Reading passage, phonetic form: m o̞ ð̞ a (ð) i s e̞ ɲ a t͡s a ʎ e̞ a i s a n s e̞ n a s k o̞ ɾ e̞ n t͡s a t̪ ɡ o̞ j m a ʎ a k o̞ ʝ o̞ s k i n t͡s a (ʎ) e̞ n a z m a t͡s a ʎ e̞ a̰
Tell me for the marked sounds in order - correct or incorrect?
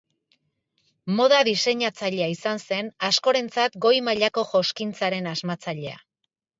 correct, incorrect

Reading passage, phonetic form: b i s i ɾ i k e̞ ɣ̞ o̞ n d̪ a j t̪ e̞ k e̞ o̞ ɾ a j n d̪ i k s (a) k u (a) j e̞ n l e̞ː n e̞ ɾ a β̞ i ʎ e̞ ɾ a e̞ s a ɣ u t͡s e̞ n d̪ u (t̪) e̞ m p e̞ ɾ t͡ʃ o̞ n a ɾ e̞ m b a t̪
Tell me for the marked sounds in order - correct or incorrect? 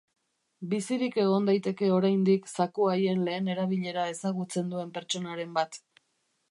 correct, correct, incorrect

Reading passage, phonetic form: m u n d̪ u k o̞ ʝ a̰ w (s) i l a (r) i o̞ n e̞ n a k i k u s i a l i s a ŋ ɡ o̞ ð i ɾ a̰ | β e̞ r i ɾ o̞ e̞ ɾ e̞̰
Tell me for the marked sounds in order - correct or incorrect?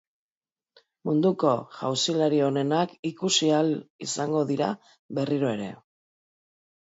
correct, incorrect

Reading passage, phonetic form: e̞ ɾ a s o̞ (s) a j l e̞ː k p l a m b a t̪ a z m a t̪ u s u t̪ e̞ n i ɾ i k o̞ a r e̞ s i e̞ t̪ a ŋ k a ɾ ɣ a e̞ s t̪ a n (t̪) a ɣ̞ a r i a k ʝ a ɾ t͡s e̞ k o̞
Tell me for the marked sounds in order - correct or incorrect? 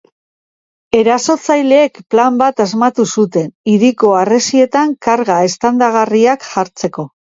incorrect, incorrect

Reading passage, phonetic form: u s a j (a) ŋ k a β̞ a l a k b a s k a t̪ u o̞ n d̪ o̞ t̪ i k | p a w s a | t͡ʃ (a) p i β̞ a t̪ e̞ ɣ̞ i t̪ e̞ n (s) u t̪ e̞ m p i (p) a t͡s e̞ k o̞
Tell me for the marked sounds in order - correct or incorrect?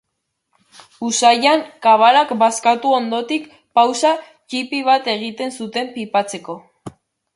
correct, incorrect, correct, correct

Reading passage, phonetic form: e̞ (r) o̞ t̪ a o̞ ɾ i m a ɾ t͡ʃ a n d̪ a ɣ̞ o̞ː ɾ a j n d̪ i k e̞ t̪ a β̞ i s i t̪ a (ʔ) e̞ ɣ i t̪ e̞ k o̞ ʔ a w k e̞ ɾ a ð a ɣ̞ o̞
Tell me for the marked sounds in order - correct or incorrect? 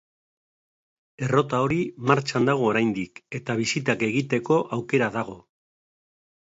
correct, incorrect

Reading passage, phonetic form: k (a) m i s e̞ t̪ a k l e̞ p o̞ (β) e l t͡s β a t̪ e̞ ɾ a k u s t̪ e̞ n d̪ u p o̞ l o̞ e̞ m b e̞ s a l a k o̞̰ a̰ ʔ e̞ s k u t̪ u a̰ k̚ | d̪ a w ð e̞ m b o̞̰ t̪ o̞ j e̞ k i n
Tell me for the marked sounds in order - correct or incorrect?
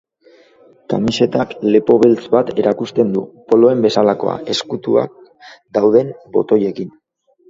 correct, correct

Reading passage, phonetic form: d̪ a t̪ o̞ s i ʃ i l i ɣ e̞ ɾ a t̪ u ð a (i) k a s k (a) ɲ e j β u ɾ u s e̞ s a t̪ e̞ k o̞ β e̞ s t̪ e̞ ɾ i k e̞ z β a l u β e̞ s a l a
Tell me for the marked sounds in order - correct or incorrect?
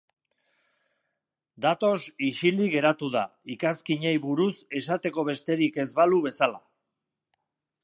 correct, incorrect

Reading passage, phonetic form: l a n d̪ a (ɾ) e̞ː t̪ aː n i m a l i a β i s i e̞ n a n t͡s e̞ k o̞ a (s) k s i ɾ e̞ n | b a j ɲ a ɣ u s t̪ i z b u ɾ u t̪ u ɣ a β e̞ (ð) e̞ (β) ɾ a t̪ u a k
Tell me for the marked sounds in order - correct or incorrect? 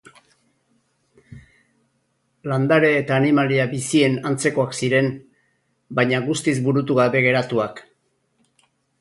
correct, incorrect, incorrect, incorrect

